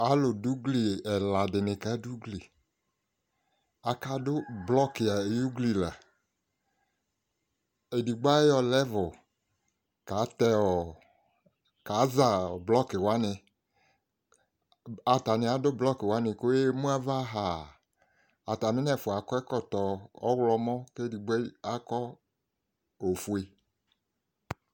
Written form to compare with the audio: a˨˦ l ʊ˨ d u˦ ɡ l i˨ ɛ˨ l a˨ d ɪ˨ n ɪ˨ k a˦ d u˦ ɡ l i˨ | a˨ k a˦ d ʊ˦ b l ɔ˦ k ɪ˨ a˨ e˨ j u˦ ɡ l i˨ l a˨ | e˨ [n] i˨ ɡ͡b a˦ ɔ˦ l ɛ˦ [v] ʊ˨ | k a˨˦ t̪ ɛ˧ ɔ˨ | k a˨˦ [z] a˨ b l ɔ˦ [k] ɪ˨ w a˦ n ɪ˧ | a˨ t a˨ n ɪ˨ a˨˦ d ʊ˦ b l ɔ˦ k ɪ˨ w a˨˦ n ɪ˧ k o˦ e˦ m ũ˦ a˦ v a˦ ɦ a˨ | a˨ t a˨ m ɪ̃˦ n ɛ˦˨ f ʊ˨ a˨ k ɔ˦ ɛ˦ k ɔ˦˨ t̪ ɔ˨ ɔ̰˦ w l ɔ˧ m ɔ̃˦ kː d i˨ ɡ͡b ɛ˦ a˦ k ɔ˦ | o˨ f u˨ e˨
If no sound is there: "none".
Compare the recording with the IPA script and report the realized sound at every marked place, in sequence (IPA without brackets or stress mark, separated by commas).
d, v, z, k